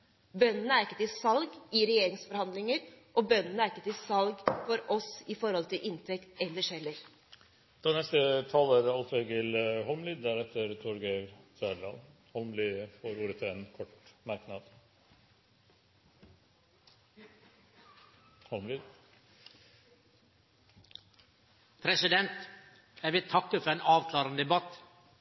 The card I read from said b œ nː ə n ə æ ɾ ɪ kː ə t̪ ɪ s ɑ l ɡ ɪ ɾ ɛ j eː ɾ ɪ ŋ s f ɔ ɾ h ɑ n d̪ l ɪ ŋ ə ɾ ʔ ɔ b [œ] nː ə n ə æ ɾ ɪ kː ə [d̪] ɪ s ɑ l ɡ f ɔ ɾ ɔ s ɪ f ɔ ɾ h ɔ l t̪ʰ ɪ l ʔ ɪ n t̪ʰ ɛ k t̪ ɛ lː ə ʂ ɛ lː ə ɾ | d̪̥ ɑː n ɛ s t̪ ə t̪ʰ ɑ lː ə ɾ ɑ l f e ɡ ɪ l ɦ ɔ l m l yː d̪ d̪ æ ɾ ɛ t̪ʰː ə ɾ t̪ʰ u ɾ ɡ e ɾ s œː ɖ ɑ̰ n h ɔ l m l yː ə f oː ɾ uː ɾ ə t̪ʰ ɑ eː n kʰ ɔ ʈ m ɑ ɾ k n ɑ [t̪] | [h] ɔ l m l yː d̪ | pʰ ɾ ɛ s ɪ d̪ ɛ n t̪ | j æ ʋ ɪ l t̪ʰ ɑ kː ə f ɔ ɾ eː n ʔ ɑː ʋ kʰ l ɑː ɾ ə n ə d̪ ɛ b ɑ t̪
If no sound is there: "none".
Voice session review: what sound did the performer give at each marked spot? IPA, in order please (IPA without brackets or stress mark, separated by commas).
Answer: œ, t̪, d̪, h